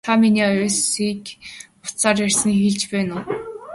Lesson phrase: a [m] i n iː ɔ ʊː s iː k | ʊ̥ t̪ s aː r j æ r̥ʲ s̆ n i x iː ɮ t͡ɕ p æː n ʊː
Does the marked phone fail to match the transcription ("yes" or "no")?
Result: no